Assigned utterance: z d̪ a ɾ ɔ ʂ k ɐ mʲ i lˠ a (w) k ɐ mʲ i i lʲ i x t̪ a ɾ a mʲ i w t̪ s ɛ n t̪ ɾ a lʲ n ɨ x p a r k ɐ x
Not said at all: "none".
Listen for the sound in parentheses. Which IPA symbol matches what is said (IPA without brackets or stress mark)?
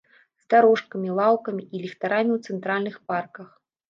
w